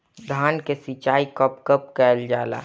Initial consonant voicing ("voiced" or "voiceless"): voiced